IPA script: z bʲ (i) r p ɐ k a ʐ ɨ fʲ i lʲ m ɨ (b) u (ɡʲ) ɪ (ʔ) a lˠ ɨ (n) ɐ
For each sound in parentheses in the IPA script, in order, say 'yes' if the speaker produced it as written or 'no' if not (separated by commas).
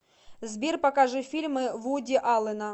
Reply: yes, no, no, yes, yes